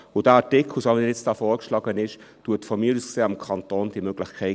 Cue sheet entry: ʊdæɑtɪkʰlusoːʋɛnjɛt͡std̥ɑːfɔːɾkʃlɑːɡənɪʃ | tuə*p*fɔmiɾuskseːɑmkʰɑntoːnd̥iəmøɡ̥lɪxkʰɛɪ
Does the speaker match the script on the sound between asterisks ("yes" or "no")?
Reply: no